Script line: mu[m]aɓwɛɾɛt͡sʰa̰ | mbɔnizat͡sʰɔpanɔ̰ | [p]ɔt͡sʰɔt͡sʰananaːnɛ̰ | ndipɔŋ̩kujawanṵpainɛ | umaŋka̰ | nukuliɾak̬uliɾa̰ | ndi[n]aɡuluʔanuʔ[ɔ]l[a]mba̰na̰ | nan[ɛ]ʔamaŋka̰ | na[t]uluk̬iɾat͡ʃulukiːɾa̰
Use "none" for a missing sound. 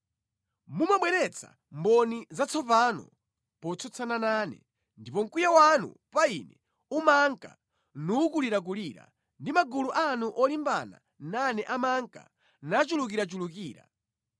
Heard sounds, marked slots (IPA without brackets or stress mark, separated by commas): m, p, m, ɔ, i, ɛ, t͡ʃ